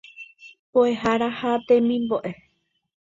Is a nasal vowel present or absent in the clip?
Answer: present